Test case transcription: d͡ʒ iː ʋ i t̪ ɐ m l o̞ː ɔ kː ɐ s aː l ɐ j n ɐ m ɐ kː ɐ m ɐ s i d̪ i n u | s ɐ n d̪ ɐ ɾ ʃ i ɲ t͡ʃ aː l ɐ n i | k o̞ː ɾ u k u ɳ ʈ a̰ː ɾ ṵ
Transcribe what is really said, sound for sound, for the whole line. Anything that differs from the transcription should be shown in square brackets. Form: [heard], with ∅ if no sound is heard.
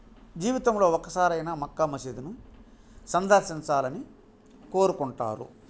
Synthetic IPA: d͡ʒ iː ʋ i t̪ ɐ m l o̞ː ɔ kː ɐ s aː [ɾ] ɐ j n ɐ m ɐ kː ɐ m ɐ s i d̪ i n u | s ɐ n d̪ ɐ ɾ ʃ i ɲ t͡ʃ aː l ɐ n i | k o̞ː ɾ u k u ɳ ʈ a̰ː ɾ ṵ

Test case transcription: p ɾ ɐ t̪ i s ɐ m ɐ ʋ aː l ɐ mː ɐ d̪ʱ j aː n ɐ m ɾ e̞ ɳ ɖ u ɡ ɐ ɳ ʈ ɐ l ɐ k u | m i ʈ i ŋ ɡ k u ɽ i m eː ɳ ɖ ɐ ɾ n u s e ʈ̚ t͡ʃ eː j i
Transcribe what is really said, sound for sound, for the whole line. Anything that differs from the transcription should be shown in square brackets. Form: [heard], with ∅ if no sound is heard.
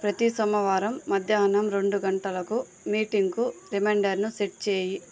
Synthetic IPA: p ɾ ɐ t̪ i s ɐ m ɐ ʋ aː [ɾ] ɐ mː ɐ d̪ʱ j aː n ɐ m ɾ e̞ ɳ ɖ u ɡ ɐ ɳ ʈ ɐ l ɐ k u | m [iː] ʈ i ŋ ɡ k u [ɾ] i m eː ɳ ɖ ɐ ɾ n u s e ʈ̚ t͡ʃ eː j i

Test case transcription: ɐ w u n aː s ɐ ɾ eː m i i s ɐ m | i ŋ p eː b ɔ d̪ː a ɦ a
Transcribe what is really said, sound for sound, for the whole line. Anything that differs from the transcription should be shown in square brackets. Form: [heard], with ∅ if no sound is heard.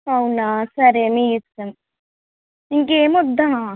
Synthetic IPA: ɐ w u n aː s ɐ ɾ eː m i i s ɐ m | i ŋ [k] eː [m] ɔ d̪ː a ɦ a

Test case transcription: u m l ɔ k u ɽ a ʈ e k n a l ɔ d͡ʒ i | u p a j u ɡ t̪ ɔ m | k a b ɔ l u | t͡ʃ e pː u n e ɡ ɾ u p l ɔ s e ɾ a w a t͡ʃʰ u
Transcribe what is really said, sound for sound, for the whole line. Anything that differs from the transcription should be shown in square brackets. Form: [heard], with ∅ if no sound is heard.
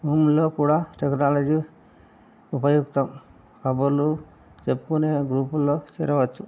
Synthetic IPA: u m l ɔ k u ɽ a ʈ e k n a l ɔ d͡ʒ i | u p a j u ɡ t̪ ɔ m | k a b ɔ l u | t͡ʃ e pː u n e ɡ ɾ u p l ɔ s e ɾ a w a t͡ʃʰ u

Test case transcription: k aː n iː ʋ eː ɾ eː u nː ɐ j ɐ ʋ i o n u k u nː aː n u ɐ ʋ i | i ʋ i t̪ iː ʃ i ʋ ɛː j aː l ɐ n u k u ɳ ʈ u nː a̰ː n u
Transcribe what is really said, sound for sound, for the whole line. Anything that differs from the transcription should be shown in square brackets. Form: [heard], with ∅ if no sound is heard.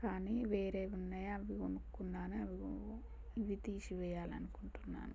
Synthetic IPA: k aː n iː ʋ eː ɾ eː u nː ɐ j ɐ ʋ i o n u k u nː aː n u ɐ ʋ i | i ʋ i t̪ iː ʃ i ʋ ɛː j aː l ɐ n u k u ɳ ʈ u nː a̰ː n u

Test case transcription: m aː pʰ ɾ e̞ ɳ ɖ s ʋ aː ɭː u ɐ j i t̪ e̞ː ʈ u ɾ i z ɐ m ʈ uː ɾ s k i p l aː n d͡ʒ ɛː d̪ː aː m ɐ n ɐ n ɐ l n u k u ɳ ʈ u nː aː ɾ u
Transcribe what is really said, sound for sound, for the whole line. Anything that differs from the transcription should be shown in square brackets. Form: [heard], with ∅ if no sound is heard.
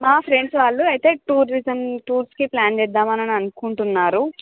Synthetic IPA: m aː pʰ ɾ e̞ ɳ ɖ s ʋ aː ɭː u ɐ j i t̪ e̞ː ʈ [uː] ɾ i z ɐ m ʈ uː ɾ s k i p l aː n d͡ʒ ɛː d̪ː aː m ɐ n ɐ n ɐ [∅] n u k u ɳ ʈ u nː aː ɾ u

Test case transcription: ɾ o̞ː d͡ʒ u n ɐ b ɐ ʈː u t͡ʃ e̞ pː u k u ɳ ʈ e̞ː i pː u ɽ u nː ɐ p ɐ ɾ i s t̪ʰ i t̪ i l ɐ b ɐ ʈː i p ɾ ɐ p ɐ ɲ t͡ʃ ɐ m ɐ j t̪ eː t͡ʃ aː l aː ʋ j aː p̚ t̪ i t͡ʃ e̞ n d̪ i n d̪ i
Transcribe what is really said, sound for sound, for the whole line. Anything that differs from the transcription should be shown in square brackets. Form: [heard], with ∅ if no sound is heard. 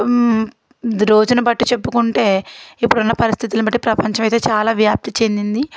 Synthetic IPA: ɾ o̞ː d͡ʒ u n ɐ b ɐ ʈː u t͡ʃ e̞ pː u k u ɳ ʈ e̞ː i pː u ɽ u nː ɐ p ɐ ɾ i s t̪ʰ i t̪ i l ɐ b ɐ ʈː i p ɾ ɐ p ɐ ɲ t͡ʃ ɐ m ɐ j t̪ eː t͡ʃ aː l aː ʋ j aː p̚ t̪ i t͡ʃ e̞ n d̪ i n d̪ i

